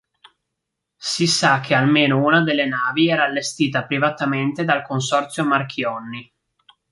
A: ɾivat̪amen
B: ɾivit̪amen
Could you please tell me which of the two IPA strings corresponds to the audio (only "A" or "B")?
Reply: A